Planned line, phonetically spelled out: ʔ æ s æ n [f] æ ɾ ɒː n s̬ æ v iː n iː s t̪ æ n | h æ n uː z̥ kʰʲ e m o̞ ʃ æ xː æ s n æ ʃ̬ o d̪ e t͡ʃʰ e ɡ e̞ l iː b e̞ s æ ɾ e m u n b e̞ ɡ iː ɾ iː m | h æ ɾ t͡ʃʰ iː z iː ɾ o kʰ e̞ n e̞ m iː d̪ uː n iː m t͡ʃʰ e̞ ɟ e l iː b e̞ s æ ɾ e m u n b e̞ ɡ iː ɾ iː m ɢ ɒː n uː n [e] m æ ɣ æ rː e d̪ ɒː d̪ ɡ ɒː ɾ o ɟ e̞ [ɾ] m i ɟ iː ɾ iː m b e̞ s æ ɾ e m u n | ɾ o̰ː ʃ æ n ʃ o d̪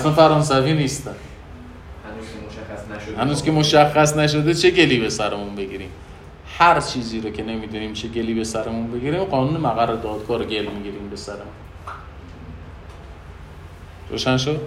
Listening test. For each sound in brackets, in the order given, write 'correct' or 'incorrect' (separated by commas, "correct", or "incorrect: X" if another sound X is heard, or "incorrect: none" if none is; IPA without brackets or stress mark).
correct, correct, incorrect: l